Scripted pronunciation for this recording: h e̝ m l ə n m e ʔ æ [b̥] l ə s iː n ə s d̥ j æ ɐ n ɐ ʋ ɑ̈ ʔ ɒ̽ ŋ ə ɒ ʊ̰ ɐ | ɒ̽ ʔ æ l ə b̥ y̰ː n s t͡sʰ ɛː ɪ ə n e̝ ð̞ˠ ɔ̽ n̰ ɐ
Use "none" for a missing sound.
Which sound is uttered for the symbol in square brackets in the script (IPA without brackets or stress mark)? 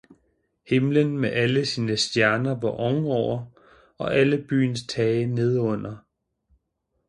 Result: none